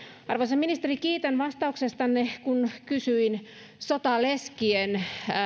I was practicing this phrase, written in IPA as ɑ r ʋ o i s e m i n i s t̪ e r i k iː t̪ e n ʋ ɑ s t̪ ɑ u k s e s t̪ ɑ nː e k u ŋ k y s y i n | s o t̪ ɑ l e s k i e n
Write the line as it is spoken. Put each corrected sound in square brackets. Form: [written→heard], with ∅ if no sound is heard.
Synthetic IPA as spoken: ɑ r ʋ o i s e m i n i s t̪ e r i k iː t̪ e n ʋ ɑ s t̪ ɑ u k s e s t̪ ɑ nː e k u [ŋ→n] k y s y i n | s o t̪ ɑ l e s k i e n